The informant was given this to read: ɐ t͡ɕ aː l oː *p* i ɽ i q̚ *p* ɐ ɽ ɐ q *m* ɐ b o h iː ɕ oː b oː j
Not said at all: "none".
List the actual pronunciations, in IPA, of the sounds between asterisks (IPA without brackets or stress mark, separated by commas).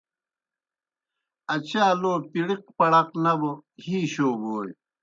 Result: p, p, n